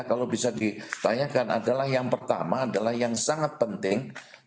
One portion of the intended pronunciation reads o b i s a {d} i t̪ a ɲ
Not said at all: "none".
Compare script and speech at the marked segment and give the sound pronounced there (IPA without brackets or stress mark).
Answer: d